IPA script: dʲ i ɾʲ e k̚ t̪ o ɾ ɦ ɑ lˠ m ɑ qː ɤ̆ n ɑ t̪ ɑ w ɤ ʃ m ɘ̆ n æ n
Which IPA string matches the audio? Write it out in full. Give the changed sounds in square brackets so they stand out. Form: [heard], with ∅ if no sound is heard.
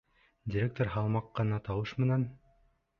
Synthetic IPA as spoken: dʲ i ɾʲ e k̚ t̪ o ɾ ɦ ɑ lˠ m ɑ qː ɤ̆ n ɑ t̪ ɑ w ɤ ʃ m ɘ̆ n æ n